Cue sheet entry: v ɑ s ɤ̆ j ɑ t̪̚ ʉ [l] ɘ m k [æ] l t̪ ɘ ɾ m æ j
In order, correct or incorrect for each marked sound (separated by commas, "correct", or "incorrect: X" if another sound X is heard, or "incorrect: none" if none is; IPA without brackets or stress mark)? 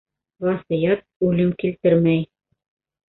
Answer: correct, incorrect: i